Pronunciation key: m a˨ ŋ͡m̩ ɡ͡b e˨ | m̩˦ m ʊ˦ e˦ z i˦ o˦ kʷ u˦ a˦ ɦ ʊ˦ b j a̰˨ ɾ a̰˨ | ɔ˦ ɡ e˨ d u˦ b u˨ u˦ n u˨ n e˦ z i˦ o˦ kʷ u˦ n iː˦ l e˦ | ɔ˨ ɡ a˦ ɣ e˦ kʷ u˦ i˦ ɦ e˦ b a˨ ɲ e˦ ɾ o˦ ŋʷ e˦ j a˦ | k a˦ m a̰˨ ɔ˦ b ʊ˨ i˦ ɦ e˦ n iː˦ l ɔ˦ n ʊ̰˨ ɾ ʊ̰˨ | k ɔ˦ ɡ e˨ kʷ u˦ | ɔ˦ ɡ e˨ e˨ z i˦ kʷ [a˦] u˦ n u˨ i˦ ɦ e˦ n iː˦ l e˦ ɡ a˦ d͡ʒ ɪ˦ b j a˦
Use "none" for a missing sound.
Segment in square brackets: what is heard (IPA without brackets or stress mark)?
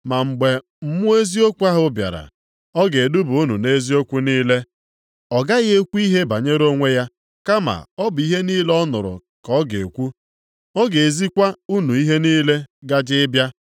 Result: a˦